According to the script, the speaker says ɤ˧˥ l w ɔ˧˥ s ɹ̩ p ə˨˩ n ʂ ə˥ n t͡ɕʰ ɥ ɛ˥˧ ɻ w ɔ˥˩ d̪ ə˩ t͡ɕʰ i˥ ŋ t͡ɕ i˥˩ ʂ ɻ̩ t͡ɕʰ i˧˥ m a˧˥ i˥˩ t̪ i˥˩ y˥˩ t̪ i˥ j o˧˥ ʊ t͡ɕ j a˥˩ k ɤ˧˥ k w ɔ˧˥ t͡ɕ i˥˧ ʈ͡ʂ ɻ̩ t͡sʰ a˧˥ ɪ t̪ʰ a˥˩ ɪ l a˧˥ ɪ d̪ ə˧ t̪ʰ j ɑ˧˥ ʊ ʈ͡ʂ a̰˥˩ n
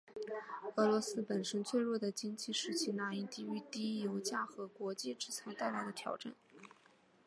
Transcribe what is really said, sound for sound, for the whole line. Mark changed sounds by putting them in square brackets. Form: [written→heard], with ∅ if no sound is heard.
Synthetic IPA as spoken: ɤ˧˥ l w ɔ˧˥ s ɹ̩ p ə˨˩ n ʂ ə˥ n t͡ɕʰ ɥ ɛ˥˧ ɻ w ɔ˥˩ d̪ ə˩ [t͡ɕʰ→t͡ɕ] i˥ ŋ t͡ɕ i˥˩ ʂ ɻ̩ t͡ɕʰ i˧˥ [m→n] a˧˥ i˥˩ t̪ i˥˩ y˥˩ t̪ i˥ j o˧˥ ʊ t͡ɕ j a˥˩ [k→x] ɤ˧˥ k w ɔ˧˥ t͡ɕ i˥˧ ʈ͡ʂ ɻ̩ t͡sʰ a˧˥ ɪ [t̪ʰ→t̪] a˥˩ ɪ l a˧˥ ɪ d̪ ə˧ t̪ʰ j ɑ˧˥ ʊ ʈ͡ʂ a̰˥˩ n